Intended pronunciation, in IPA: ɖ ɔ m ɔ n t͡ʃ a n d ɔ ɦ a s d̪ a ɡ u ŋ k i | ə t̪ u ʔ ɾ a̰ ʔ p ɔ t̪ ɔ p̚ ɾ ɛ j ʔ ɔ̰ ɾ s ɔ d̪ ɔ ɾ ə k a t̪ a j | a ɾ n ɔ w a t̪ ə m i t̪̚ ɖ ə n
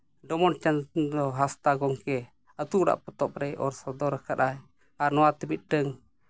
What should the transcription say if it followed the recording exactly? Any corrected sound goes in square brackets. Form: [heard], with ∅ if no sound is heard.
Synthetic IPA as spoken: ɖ ɔ m ɔ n t͡ʃ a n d ɔ ɦ a s [t̪] a ɡ [ɔ] ŋ k [ɛ] | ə t̪ u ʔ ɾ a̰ ʔ p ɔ t̪ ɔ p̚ ɾ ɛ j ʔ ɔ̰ ɾ s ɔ d̪ ɔ ɾ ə k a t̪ a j | a ɾ n ɔ w a t̪ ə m i t̪̚ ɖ ə [ŋ]

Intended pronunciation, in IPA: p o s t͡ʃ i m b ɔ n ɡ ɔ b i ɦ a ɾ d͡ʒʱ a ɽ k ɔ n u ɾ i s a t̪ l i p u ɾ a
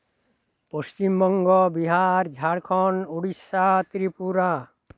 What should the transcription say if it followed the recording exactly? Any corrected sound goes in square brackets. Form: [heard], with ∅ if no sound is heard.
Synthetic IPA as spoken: p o s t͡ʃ i m b ɔ [ŋ] ɡ ɔ b i ɦ a ɾ d͡ʒʱ a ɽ [kʰ] ɔ n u [ɽ] i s a t̪ [ɾ] i p u ɾ a

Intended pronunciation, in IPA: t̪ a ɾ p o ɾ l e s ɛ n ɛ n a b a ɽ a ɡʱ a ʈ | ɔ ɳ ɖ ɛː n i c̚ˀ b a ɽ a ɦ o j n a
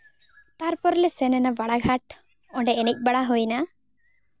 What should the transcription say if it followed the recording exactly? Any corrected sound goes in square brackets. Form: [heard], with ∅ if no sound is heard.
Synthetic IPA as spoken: t̪ a ɾ p [ɔ] ɾ l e s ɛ n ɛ n a b a ɽ a ɡʱ a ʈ | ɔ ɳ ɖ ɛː n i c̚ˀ b a ɽ a ɦ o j n a

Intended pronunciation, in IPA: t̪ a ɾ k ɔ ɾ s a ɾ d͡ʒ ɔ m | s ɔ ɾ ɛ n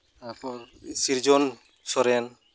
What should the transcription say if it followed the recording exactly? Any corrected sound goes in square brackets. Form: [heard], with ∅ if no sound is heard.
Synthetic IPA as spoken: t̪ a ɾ [p] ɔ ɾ s [i] ɾ d͡ʒ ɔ [n] | s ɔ ɾ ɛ n

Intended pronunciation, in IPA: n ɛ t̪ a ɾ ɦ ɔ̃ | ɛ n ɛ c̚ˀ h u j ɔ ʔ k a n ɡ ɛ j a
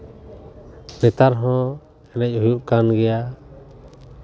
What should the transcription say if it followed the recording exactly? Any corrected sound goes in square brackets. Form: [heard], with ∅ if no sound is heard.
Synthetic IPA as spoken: n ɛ t̪ a ɾ ɦ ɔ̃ | ɛ n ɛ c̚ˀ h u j [u] ʔ k a n ɡ ɛ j a

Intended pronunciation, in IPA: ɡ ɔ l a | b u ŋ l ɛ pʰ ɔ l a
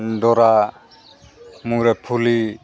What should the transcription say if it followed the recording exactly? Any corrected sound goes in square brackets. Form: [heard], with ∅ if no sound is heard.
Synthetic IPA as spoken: [d] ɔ [ɾ] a | [m] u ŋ [ɾ] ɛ pʰ [u] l [i]

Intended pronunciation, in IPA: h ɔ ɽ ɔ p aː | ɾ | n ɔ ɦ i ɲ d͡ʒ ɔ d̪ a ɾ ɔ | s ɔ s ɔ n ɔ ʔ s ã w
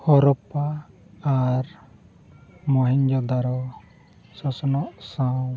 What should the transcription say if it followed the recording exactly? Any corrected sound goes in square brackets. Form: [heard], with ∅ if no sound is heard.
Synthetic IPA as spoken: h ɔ [ɾ] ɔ p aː | ɾ | [m] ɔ ɦ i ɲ d͡ʒ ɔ d̪ a ɾ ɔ | s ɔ s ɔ n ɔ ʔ s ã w

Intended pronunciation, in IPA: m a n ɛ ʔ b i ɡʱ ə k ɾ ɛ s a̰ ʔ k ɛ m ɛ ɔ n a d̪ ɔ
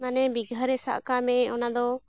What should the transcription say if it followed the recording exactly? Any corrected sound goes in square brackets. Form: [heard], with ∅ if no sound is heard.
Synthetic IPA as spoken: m a n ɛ [∅] b i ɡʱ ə [∅] ɾ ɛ s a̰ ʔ k [a] m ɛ ɔ n a d̪ ɔ

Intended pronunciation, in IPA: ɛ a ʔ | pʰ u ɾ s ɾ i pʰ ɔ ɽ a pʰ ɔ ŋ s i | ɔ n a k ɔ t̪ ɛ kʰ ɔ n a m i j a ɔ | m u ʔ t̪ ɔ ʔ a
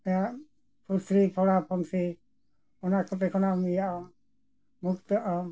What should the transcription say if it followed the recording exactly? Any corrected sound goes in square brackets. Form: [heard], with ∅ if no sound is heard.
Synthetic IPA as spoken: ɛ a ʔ | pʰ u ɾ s ɾ i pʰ ɔ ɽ a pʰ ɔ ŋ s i | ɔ n a k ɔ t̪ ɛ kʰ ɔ n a m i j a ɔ | m u [k] t̪ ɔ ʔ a

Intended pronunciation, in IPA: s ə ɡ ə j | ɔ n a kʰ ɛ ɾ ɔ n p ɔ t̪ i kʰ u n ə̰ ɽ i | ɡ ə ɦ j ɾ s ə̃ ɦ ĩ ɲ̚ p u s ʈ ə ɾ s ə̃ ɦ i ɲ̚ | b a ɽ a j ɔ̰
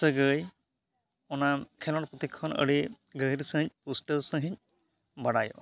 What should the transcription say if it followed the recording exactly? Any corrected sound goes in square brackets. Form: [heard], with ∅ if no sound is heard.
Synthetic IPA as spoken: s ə ɡ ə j | ɔ n a kʰ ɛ [l] ɔ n p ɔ t̪ i kʰ [ɔ] n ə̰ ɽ i | ɡ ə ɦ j ɾ s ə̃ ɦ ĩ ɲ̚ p u s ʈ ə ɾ s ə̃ ɦ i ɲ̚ | b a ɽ a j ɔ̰

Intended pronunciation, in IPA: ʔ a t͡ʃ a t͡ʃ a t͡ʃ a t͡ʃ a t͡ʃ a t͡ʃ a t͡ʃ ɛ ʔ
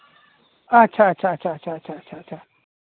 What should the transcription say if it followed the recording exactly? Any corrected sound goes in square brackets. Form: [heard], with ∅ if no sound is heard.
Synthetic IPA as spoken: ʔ a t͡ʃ a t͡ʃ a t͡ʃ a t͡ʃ a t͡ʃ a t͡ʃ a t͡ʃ [a] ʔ

